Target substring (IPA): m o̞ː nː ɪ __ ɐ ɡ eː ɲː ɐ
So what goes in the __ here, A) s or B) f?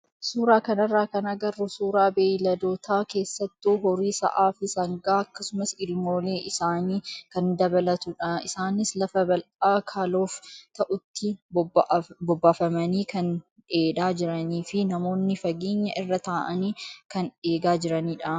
B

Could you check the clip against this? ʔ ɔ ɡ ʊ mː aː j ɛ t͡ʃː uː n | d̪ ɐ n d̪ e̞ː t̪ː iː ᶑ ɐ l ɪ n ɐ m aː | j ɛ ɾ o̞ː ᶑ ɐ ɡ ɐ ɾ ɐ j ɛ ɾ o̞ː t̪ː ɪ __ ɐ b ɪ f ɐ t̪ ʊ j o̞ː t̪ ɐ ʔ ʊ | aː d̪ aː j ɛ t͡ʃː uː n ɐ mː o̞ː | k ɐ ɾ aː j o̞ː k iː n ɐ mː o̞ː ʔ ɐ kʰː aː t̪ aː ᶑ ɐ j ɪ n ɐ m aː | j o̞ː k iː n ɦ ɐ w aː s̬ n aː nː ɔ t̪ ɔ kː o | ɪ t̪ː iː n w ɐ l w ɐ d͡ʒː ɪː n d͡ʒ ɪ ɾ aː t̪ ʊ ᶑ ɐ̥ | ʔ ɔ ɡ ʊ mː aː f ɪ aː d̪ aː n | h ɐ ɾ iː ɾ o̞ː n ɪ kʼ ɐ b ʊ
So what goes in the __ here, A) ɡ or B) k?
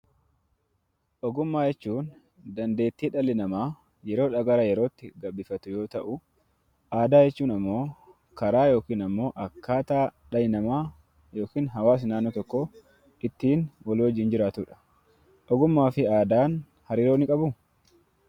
A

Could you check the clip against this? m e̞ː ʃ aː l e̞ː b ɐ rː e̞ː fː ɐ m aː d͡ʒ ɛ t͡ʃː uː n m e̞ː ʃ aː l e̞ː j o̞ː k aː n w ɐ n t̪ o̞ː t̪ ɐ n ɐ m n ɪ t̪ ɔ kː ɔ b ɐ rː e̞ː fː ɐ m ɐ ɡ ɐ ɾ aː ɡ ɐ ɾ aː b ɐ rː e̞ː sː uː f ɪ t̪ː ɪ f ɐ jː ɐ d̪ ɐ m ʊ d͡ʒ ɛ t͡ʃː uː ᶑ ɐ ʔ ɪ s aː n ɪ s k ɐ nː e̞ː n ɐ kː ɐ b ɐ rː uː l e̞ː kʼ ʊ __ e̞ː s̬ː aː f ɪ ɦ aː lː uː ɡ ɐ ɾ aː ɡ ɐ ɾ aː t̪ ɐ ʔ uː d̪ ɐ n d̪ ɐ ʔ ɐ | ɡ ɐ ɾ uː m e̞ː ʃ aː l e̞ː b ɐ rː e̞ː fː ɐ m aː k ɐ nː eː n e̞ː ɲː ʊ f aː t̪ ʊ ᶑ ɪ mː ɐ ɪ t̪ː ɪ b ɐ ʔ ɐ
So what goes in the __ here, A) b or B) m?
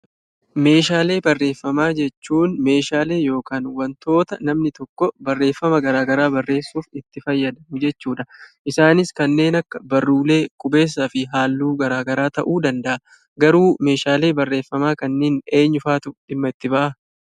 A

